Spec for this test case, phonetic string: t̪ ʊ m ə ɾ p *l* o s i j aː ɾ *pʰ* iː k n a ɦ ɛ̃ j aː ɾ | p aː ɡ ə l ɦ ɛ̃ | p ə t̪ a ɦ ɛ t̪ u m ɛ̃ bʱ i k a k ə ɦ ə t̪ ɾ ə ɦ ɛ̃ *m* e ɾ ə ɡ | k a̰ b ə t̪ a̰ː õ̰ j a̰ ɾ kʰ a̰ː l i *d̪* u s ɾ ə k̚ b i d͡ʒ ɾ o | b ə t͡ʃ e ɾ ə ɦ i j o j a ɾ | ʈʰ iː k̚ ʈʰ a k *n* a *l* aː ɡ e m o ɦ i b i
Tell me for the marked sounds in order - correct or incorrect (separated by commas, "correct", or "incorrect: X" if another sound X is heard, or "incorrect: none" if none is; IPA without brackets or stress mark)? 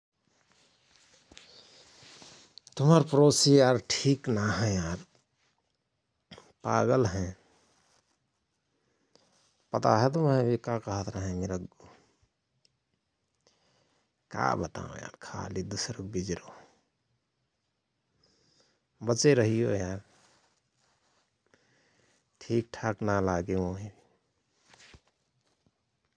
incorrect: ɾ, incorrect: ʈʰ, correct, correct, correct, correct